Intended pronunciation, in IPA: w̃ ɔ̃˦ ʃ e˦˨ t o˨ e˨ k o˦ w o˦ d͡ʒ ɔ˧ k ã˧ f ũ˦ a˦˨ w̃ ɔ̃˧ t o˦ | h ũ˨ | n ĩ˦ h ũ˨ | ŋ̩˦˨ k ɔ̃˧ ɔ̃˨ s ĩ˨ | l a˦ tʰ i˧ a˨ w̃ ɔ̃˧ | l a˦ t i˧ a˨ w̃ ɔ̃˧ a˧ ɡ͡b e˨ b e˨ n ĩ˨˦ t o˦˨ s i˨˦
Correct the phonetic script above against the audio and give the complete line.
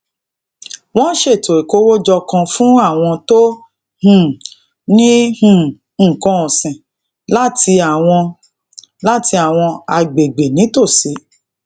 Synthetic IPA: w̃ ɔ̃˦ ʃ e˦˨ t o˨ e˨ k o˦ w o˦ d͡ʒ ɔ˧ k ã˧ f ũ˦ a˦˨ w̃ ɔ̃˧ t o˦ | h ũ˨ | n ĩ˦ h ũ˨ | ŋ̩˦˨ k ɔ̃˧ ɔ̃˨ s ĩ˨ | l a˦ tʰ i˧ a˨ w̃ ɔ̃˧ | l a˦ t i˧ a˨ w̃ ɔ̃˧ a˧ ɡ͡b e˨ ɡ͡b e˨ n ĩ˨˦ t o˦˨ s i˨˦